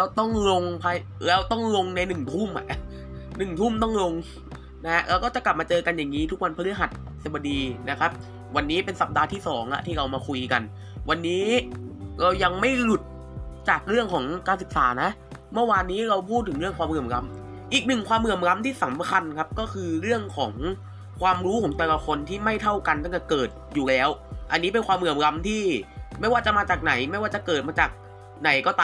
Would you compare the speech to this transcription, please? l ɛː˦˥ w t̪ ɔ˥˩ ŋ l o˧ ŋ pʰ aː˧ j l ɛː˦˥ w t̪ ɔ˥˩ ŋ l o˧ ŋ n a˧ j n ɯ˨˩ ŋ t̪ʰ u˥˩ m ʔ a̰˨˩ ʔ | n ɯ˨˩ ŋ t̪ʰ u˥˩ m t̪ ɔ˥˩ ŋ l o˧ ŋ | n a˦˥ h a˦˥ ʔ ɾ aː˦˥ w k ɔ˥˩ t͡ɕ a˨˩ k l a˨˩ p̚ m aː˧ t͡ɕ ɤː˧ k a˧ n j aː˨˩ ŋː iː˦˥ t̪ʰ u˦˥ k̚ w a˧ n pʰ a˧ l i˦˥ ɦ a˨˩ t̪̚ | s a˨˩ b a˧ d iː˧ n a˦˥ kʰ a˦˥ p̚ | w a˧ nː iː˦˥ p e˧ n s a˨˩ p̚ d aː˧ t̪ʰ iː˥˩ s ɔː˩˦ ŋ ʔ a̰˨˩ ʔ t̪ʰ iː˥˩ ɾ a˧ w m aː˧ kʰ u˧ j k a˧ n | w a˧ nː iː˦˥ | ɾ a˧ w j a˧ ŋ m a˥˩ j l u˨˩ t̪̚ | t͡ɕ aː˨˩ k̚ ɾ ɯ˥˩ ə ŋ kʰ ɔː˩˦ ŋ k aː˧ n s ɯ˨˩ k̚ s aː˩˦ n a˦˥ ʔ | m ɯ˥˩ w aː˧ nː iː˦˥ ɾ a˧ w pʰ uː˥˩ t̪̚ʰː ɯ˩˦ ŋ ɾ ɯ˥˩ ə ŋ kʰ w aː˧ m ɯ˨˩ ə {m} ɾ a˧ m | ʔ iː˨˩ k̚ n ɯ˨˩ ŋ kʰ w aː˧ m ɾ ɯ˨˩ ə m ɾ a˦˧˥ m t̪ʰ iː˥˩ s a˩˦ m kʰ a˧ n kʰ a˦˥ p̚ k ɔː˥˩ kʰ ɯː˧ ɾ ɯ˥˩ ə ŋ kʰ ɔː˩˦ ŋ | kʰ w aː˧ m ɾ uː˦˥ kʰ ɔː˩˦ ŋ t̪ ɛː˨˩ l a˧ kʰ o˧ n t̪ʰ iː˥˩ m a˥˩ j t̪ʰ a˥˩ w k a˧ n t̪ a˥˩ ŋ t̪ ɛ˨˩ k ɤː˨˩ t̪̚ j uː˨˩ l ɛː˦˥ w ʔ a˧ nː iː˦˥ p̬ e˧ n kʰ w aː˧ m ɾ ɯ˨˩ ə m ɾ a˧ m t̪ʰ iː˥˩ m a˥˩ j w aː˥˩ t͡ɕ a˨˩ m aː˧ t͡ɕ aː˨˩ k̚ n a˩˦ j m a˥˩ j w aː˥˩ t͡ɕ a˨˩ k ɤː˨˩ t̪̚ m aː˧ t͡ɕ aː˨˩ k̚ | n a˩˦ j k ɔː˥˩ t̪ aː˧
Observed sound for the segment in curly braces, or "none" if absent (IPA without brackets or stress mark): m